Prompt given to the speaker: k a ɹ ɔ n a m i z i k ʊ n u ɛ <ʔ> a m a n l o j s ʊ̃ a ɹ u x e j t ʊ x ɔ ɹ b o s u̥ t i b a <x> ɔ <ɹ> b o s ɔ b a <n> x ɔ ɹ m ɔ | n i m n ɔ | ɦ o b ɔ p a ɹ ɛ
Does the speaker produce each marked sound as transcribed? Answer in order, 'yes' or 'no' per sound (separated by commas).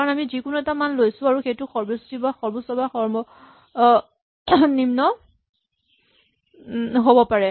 no, yes, yes, no